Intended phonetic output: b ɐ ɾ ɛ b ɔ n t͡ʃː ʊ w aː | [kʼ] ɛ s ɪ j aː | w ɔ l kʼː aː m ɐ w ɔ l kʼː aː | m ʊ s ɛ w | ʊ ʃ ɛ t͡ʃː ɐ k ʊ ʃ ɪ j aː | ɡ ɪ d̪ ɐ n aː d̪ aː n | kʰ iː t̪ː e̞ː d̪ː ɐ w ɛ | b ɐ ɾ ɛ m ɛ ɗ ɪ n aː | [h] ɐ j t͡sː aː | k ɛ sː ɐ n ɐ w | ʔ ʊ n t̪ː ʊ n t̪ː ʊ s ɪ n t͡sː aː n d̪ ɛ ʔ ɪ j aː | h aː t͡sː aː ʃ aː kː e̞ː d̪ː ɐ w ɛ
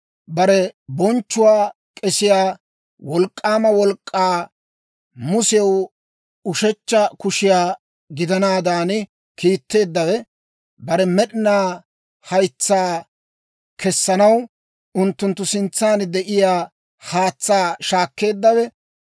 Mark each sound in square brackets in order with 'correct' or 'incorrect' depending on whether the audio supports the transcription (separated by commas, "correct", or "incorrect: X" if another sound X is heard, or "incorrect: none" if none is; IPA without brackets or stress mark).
correct, correct